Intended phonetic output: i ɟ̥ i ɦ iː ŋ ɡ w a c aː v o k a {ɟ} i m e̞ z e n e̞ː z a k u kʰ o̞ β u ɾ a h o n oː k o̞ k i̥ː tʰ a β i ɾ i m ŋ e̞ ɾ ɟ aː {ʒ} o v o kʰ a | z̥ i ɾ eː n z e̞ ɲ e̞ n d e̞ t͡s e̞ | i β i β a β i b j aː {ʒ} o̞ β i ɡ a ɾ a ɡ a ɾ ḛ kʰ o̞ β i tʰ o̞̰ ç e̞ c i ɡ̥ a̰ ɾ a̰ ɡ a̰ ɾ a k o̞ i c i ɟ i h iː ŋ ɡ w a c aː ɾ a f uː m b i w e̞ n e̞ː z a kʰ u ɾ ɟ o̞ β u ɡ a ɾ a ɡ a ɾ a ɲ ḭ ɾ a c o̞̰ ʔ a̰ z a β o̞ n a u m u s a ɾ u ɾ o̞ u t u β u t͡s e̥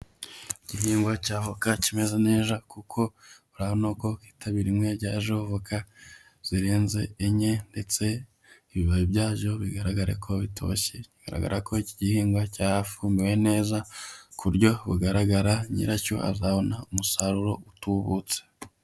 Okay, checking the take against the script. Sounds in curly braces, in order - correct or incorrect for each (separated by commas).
incorrect, correct, correct